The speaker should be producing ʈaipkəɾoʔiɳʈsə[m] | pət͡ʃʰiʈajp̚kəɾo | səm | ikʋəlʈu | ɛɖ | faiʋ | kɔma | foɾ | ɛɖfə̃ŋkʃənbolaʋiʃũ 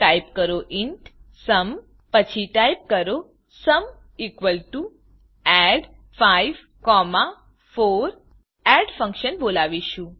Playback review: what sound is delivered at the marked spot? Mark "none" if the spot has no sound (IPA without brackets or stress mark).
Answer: m